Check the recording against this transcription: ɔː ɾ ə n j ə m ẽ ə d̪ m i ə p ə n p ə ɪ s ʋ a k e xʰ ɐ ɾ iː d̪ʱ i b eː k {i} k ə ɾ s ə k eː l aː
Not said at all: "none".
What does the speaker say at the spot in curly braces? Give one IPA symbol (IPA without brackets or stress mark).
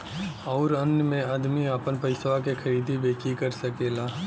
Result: i